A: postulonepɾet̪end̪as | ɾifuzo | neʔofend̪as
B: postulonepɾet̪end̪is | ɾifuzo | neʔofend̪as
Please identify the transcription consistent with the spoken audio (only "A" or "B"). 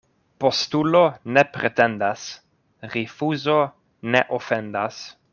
A